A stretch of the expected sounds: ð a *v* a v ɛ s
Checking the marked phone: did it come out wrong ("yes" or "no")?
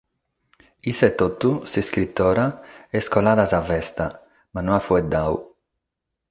yes